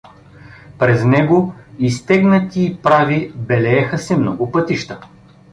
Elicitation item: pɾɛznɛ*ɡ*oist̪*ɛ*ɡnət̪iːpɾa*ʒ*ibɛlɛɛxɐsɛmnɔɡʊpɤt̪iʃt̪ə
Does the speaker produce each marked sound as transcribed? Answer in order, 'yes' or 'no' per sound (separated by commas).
yes, yes, no